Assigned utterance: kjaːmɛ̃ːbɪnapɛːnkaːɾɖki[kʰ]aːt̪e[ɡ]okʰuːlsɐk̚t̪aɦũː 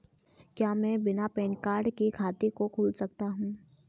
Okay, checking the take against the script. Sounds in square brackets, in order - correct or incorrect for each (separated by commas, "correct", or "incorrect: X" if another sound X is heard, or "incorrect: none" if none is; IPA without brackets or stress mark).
correct, incorrect: k